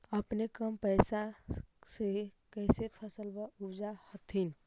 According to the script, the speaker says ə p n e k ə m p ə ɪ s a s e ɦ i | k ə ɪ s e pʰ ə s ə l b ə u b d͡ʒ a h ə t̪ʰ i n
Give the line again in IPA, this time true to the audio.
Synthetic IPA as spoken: ə p n e k ə m p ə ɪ s a s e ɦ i | k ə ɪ s e pʰ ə s ə l b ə u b d͡ʒ a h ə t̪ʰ i n